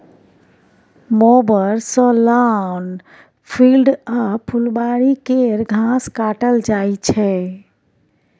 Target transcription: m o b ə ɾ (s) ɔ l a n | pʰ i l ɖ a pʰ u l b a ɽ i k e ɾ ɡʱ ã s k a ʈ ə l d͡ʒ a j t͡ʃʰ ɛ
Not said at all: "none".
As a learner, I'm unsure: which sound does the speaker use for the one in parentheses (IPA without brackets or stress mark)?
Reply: s